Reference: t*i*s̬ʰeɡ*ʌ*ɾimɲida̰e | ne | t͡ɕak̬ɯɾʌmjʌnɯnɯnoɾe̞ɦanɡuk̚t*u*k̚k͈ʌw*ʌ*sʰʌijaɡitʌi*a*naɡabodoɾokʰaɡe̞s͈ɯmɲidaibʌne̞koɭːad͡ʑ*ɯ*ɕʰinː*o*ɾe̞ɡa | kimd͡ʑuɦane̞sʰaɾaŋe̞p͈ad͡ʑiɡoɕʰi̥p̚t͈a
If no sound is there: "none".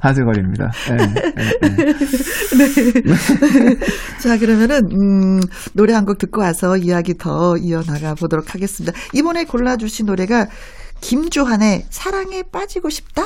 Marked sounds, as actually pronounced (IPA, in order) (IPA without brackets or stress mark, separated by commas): a, ʌ, ɯ, a, ʌ, u, o